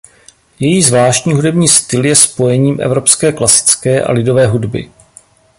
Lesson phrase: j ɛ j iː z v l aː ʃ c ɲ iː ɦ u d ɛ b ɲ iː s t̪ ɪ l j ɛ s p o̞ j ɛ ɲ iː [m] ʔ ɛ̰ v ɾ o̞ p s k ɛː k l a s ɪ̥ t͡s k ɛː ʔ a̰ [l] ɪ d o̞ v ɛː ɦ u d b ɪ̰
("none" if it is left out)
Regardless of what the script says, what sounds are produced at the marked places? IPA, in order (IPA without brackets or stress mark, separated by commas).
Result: m, l